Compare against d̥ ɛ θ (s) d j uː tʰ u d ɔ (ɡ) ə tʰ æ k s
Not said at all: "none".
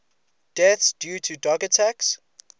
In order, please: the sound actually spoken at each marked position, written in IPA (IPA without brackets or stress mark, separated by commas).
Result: s, ɡ